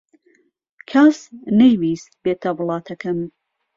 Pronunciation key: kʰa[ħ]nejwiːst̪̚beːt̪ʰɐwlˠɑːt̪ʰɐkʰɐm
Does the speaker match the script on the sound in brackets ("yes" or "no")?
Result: no